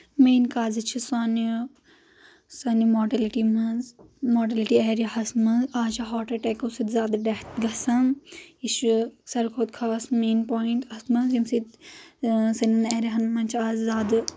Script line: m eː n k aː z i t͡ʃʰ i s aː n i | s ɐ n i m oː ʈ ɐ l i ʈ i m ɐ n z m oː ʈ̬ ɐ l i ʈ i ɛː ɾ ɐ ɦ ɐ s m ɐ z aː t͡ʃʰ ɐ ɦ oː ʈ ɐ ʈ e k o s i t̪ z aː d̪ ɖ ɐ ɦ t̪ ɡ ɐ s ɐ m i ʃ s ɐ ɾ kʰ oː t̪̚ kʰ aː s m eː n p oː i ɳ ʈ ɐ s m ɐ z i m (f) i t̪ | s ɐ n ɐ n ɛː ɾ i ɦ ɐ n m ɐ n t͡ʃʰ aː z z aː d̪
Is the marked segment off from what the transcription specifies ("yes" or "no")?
yes